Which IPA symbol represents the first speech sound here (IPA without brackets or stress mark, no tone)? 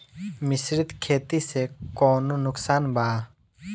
m